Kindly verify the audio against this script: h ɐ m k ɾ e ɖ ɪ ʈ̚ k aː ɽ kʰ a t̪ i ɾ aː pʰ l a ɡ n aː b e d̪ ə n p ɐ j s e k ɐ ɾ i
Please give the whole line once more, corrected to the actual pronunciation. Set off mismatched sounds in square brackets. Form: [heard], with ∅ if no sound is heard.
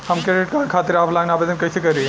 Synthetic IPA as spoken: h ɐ m k ɾ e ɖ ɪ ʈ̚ k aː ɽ kʰ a t̪ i ɾ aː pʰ l a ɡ n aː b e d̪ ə n [k] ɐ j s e k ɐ ɾ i